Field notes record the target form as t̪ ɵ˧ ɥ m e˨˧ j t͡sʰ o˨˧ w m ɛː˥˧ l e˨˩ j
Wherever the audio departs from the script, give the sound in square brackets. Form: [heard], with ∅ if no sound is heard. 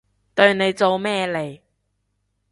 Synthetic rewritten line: t̪ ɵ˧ ɥ [n] e˨˧ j [t͡s] o˨˧ w m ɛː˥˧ l e˨˩ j